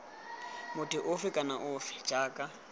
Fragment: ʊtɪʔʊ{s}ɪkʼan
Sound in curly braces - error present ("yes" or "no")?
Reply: yes